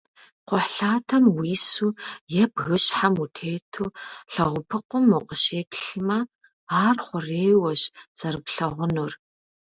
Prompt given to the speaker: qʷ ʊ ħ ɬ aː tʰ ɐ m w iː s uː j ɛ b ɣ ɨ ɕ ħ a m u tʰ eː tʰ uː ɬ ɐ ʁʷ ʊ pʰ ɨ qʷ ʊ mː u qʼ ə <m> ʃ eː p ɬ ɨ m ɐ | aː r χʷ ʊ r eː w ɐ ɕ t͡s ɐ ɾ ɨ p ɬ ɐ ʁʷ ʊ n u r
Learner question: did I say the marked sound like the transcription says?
no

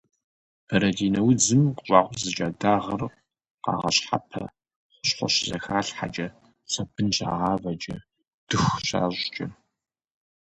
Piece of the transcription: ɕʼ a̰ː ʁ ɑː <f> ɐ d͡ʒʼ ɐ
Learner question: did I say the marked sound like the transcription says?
no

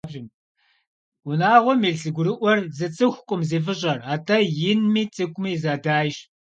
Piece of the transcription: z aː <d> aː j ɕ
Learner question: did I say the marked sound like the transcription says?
yes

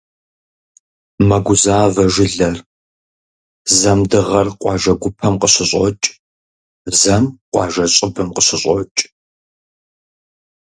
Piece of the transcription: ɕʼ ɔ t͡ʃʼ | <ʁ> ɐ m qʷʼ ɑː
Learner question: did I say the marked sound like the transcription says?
no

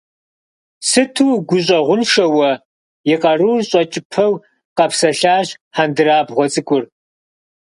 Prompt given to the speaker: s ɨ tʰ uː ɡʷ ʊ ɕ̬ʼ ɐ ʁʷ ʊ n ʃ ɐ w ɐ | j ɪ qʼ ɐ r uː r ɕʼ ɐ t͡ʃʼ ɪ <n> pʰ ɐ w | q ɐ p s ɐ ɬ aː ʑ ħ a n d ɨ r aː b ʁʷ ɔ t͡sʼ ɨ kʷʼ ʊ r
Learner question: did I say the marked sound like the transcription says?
no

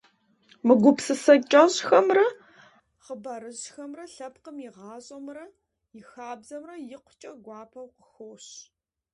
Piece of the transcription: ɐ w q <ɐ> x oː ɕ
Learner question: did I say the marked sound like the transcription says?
no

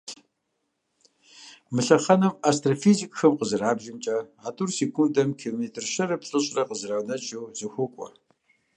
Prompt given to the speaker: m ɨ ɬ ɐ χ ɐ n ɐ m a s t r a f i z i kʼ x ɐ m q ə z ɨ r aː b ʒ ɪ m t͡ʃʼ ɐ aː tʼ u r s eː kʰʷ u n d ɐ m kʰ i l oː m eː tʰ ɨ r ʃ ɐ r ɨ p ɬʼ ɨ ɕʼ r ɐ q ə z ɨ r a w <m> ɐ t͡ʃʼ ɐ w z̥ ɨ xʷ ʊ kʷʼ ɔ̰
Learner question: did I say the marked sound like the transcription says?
no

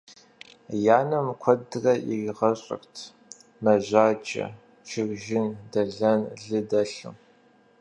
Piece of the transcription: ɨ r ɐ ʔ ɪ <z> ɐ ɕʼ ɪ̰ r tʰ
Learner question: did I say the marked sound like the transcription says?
no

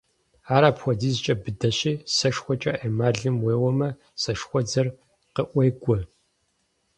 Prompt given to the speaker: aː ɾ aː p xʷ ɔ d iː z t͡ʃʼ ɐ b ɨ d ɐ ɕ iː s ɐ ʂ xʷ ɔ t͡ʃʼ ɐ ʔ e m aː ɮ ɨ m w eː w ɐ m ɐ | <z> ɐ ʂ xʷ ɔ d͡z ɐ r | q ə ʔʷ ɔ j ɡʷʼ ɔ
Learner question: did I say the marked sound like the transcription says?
no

